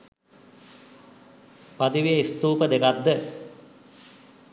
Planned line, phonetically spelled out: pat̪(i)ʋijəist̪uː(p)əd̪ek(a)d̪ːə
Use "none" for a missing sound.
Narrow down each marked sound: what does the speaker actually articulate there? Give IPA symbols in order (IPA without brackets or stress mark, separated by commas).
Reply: i, p, a